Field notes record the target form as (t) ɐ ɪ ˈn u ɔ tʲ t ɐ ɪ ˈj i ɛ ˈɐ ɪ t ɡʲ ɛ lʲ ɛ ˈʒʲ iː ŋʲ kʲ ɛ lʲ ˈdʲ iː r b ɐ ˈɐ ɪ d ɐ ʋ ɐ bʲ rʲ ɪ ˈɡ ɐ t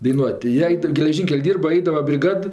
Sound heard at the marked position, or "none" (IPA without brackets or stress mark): d